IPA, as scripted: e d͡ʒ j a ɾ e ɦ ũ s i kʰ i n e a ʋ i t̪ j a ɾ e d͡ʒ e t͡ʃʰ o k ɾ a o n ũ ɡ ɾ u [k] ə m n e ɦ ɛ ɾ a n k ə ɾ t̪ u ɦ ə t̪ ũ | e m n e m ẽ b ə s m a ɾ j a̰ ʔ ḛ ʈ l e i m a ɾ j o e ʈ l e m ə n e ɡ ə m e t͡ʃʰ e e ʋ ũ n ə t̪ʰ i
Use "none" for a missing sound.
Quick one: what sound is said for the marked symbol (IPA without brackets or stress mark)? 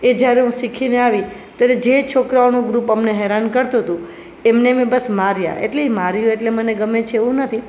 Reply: p